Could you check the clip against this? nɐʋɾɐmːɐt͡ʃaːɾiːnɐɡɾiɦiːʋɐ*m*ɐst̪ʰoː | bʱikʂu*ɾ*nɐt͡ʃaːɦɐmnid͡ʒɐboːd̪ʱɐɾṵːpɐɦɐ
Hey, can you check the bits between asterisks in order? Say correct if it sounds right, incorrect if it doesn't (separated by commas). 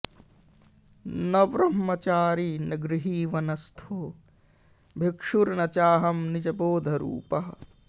incorrect, correct